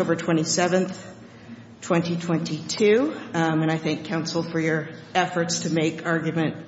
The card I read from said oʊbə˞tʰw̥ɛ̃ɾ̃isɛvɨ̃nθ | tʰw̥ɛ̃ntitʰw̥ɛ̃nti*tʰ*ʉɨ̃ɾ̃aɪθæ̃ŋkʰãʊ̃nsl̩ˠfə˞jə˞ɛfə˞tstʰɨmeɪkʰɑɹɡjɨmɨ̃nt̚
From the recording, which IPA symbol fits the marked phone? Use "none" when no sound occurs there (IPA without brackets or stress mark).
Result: tʰ